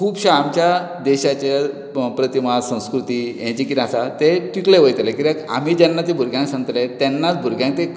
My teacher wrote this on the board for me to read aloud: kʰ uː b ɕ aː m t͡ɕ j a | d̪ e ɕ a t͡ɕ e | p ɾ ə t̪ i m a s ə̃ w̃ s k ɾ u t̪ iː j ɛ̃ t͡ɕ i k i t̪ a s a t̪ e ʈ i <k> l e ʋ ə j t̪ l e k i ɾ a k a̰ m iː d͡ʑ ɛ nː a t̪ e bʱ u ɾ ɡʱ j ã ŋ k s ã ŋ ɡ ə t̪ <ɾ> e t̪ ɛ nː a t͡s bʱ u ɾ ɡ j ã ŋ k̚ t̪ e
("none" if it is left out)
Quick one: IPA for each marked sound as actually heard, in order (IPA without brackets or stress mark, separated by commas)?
k, l